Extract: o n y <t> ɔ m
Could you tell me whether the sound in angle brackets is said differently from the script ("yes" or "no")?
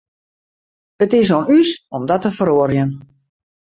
yes